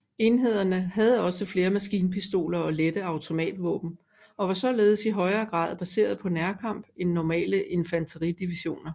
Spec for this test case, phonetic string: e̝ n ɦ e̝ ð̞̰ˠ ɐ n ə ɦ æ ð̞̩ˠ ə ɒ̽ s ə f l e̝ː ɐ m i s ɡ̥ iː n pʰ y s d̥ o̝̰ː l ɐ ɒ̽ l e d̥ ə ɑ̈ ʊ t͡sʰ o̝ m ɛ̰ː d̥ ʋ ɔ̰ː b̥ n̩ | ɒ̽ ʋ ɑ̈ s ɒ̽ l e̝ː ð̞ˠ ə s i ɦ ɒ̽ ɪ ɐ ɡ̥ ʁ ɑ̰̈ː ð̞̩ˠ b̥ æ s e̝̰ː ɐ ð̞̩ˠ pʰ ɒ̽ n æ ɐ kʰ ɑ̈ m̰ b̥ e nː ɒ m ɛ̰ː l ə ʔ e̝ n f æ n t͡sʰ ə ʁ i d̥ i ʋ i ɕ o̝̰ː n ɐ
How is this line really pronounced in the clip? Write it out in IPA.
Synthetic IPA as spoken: e̝ n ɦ e̝ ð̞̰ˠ ɐ n ə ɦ æ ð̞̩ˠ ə ɒ̽ s ə f l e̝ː ɐ m æ s ɡ̥ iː n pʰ i s d̥ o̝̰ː l ɐ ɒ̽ l e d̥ ə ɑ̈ ʊ t͡sʰ o̝ m ɛ̰ː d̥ ʋ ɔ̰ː b̥ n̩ | ɒ̽ ʋ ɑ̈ s ɒ̽ l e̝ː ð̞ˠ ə s i ɦ ɒ̽ ɪ ɐː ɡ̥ ʁ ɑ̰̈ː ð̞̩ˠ b̥ æ s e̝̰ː ɐ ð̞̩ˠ pʰ ɒ̽ n æ ɐ kʰ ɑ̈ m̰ b̥ e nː ɒ m ɛ̰ː l ə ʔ e̝ n f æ n t͡sʰ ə ʁ i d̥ i ʋ i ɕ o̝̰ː n ɐ